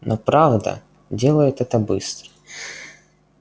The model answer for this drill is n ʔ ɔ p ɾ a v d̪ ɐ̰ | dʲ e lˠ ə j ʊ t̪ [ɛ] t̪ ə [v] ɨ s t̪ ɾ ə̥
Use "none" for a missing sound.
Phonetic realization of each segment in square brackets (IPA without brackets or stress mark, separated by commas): ɛ, b